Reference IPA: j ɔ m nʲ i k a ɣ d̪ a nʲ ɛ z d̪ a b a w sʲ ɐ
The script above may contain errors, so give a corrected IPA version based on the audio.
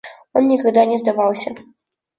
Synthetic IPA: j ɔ n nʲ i k a ɣ d̪ a nʲ ɛ z d̪ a v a w sʲ ɐ